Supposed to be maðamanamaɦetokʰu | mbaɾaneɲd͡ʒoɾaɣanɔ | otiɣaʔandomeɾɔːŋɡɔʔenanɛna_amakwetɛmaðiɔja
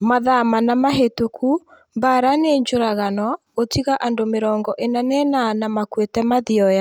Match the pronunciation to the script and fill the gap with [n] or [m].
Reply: n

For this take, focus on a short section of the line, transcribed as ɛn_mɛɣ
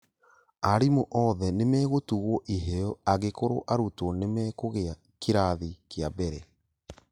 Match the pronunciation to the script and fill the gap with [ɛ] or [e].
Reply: e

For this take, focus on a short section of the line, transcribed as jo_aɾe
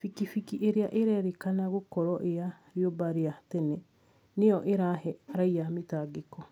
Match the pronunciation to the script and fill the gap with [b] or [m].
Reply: b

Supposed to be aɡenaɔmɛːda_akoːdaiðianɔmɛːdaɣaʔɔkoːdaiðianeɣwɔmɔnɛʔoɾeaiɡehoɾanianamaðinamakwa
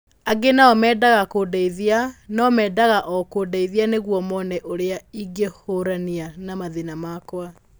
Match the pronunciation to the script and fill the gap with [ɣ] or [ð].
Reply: ɣ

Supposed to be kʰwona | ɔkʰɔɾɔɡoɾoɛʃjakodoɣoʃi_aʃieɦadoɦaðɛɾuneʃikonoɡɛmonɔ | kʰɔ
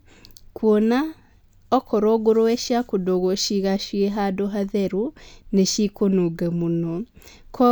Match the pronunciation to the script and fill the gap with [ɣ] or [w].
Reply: ɣ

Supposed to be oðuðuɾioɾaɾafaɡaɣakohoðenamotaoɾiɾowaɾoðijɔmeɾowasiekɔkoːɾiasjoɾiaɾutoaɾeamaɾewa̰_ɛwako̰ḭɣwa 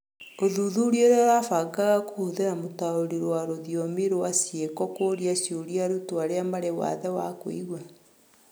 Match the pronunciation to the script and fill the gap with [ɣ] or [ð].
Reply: ð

